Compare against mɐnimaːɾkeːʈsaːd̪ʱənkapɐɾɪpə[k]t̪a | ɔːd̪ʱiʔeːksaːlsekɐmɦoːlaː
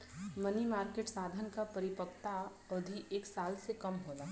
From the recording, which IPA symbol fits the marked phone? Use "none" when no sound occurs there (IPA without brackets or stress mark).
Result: k